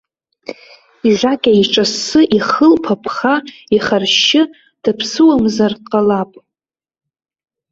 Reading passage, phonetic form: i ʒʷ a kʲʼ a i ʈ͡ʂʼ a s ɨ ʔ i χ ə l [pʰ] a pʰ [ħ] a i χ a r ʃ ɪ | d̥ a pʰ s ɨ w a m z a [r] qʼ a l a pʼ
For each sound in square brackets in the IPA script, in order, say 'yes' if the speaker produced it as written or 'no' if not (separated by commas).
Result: yes, no, yes